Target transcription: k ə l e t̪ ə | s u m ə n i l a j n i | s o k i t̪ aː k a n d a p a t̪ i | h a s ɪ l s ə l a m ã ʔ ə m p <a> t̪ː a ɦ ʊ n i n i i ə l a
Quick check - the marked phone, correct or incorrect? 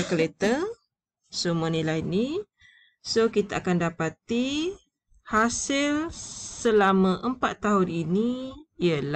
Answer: correct